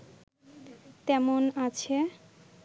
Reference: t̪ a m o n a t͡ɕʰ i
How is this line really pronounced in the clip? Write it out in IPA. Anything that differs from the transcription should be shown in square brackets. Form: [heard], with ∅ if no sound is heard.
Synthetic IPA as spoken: t̪ [ɛ] m o n a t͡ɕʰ [e]

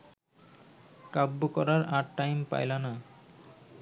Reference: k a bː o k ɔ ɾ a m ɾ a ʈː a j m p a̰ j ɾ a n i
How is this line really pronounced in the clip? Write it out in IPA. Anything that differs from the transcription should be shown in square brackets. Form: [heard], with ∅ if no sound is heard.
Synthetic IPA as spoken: k a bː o k ɔ ɾ a [∅] ɾ a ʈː a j m p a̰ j [l] a n [a]

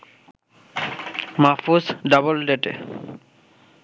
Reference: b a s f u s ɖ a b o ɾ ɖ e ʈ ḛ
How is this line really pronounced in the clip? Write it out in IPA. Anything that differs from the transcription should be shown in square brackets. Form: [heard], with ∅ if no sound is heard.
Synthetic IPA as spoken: [m] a [∅] f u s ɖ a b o [l] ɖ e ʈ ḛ

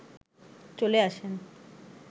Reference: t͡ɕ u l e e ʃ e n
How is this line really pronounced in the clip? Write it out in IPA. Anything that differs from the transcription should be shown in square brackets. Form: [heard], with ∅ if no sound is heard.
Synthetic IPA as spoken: t͡ɕ [o] l e [a] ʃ e n

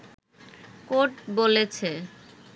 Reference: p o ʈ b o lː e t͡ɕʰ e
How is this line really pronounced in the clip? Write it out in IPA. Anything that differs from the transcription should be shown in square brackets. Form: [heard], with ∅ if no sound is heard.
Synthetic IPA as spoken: [k] o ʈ b o [l] e t͡ɕʰ e

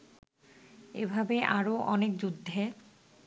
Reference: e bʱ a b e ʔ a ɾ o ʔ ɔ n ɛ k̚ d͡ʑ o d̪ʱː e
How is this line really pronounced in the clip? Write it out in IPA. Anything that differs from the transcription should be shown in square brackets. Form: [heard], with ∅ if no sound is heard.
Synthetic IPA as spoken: e bʱ a b e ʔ a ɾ o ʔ ɔ n [e] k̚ d͡ʑ [u] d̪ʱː e

